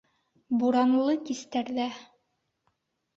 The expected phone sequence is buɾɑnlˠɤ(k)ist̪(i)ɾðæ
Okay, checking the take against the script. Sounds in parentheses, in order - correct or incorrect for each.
correct, incorrect: æ

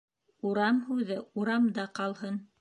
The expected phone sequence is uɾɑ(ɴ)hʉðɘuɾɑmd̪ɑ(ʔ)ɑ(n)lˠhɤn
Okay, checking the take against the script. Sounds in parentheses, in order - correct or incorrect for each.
incorrect: m, incorrect: q, incorrect: none

